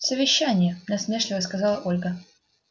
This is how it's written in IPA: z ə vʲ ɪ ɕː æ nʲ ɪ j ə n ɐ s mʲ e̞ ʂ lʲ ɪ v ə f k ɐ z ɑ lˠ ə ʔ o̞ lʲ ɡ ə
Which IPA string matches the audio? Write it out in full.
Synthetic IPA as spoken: s ə vʲ ɪ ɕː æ nʲ ɪ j ə n ɐ s mʲ e̞ ʂ lʲ ɪ v ə s k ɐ z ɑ lˠ ə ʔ o̞ lʲ ɡ ə